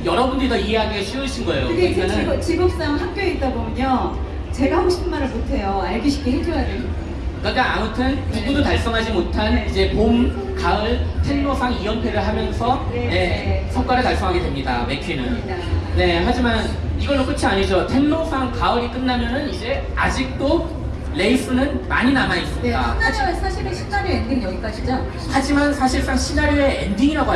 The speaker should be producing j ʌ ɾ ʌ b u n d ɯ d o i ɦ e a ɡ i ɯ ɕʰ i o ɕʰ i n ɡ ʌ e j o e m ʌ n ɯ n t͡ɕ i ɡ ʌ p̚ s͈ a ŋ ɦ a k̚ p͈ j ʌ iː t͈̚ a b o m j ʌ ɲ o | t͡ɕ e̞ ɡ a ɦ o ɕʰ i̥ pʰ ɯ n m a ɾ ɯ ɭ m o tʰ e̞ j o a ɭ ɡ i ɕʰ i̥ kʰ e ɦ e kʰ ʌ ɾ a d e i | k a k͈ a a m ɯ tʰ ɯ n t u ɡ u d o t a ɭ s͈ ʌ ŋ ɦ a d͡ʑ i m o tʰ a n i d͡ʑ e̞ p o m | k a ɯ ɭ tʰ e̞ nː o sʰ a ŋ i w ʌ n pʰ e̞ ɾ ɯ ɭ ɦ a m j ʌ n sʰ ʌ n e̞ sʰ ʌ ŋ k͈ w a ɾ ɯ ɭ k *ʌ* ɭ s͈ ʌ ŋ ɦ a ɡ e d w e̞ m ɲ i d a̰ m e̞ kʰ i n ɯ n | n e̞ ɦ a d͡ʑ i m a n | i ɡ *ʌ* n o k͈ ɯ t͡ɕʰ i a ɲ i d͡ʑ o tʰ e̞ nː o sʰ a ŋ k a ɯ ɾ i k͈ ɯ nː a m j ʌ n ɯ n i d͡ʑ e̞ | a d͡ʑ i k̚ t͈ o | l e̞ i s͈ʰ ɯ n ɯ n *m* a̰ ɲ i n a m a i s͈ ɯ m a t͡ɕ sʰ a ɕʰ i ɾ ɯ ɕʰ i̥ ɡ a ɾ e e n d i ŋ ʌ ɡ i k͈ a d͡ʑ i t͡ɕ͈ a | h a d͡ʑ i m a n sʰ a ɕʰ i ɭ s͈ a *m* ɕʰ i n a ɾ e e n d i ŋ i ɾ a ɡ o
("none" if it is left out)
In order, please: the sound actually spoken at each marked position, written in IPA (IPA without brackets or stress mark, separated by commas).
a, ʌ, m, ŋ